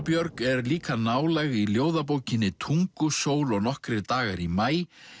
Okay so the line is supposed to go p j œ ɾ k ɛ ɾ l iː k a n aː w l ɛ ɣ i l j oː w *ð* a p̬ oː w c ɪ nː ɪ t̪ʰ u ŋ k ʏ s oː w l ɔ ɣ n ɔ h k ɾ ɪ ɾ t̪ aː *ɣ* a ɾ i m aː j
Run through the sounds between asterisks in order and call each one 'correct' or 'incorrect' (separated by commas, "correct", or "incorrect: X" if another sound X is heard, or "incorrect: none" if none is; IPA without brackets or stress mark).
correct, correct